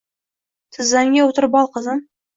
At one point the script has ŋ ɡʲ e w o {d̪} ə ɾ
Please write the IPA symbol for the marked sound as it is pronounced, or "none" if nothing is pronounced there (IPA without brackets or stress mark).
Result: t̪